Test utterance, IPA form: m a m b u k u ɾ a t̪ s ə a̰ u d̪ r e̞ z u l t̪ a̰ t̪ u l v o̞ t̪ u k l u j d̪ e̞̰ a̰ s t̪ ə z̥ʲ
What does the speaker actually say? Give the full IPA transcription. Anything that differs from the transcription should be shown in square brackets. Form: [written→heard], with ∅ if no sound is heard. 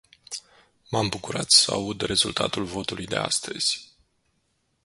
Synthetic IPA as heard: m a m b u k u ɾ a t̪ s ə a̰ u d̪ r e̞ z u l t̪ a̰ t̪ u l v o̞ t̪ u [k→∅] l u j d̪ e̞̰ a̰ s t̪ ə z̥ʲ